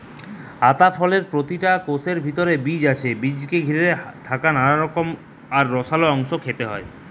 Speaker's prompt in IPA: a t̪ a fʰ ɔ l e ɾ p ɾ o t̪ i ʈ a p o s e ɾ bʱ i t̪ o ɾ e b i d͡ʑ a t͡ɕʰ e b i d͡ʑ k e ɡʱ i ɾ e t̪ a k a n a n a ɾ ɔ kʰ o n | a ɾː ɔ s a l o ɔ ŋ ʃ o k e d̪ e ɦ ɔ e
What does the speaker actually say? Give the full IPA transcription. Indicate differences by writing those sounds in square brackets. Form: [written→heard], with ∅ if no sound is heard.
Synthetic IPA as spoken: a t̪ a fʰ ɔ l e ɾ p ɾ o t̪ i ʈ a [p→k] o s e ɾ bʱ i t̪ o ɾ e b i d͡ʑ a t͡ɕʰ e b i d͡ʑ k e ɡʱ i ɾ e [t̪→t̪ʰ] a k a n a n a ɾ ɔ [kʰ→k] o [n→m] | a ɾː ɔ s a l o ɔ ŋ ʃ o [k→kʰ] e [d̪→t̪] e ɦ ɔ e